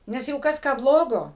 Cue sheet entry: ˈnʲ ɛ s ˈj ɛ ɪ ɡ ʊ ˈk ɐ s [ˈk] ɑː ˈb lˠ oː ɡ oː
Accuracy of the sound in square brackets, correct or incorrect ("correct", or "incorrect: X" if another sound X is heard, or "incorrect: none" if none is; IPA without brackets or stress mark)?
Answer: correct